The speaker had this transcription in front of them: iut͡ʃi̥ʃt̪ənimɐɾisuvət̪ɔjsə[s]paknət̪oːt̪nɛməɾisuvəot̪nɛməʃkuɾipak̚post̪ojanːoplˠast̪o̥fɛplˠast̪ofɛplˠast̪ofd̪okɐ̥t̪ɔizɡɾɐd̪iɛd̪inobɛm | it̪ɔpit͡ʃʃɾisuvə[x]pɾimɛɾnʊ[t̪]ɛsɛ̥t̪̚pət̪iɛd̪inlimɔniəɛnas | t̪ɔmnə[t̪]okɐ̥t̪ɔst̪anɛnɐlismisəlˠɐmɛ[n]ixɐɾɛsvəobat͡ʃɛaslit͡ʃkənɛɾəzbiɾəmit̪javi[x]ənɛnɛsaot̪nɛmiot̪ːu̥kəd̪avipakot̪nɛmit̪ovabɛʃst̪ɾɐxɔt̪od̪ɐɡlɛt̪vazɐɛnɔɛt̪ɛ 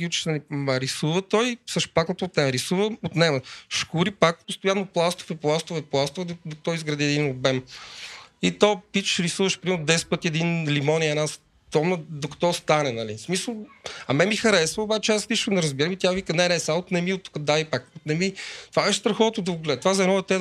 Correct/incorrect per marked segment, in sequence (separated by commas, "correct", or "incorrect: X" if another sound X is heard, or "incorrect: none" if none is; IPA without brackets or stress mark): incorrect: ʃ, incorrect: ʃ, incorrect: d̪, incorrect: d̪, incorrect: m, incorrect: k